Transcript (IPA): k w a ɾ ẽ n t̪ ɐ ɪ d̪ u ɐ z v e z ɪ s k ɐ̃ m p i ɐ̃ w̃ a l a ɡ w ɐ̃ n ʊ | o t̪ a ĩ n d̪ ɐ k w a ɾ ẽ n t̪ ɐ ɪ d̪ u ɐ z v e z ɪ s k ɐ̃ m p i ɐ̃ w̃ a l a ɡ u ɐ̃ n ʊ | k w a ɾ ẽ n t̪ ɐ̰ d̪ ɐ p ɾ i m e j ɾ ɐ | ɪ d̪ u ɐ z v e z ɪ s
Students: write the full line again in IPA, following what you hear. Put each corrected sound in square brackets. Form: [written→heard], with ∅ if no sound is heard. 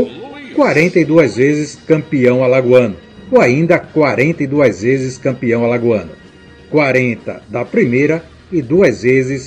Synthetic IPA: k w a ɾ ẽ n t̪ ɐ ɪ d̪ u ɐ z v e z ɪ s k ɐ̃ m p i ɐ̃ w̃ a l a ɡ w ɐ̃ n ʊ | o [t̪→∅] a ĩ n d̪ ɐ k w a ɾ ẽ n t̪ ɐ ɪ d̪ u ɐ z v e z ɪ s k ɐ̃ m p i ɐ̃ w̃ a l a ɡ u ɐ̃ n ʊ | k w a ɾ ẽ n t̪ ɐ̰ d̪ ɐ p ɾ i m e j ɾ ɐ | ɪ d̪ u ɐ z v e z ɪ s